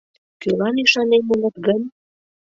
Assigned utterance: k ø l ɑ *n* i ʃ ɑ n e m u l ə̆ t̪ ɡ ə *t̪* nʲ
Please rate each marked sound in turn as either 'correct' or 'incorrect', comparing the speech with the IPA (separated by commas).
correct, incorrect